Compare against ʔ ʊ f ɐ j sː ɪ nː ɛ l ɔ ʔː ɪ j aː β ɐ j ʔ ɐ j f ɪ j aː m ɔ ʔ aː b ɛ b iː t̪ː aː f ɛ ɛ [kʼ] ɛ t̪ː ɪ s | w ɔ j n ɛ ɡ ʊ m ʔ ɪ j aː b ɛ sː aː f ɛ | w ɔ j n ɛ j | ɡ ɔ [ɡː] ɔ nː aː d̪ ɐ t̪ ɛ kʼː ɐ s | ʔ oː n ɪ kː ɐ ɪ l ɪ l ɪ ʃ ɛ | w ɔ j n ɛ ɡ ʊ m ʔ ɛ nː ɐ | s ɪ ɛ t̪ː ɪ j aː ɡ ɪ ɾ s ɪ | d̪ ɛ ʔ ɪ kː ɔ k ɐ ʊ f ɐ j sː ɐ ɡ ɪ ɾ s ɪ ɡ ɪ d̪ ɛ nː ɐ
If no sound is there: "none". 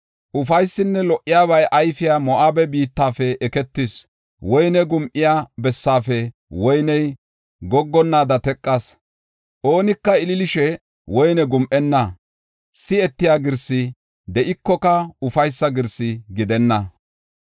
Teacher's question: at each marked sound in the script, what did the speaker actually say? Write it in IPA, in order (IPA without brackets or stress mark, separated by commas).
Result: k, ɡː